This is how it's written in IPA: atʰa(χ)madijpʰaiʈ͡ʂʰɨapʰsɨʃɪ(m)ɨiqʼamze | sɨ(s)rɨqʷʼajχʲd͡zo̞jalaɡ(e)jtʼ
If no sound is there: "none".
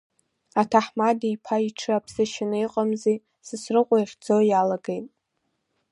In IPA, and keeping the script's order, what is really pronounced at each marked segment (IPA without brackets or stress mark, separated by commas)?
ħ, n, s, e